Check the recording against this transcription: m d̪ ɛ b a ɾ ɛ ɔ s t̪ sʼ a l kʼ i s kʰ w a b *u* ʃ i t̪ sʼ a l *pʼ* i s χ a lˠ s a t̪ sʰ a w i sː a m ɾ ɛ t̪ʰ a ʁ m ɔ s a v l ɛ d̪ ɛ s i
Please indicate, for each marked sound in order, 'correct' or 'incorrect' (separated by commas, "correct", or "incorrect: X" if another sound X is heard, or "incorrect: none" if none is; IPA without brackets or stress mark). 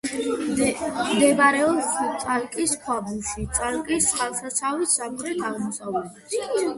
correct, incorrect: kʼ